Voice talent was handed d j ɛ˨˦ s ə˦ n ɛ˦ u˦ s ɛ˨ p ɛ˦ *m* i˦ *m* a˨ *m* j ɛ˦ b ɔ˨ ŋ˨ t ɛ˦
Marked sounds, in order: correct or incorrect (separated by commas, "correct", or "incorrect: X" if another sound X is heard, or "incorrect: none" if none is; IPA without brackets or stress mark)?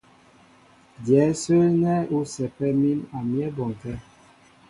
correct, incorrect: n, correct